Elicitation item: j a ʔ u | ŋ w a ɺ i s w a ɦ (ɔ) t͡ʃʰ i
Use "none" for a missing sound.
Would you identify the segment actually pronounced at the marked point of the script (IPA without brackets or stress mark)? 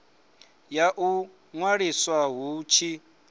u